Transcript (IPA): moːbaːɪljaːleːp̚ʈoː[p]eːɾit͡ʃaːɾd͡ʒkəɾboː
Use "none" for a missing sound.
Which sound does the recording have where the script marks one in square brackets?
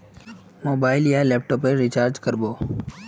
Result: p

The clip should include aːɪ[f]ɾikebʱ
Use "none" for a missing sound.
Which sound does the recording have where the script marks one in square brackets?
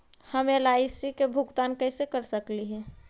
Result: s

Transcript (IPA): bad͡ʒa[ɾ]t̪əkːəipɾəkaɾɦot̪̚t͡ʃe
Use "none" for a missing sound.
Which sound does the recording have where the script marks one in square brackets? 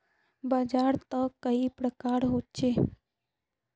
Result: ɾ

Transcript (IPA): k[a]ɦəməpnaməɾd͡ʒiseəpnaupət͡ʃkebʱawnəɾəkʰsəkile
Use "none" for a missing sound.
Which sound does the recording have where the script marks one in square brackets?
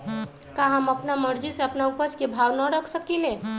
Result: a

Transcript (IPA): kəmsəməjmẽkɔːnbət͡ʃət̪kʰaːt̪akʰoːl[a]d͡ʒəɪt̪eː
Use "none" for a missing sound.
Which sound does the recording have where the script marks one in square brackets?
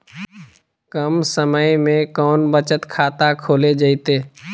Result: e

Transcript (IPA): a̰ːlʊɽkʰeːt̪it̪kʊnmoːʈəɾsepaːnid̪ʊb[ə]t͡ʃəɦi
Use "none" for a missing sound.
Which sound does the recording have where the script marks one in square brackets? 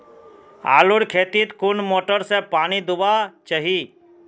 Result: a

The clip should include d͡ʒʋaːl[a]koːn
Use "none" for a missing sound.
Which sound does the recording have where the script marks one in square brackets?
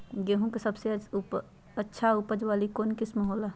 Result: i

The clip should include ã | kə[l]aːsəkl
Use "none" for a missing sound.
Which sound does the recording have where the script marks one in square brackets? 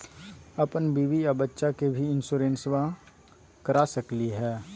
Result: ɾ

